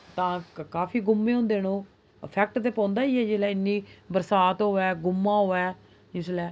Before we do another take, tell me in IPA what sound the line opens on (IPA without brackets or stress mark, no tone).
t̪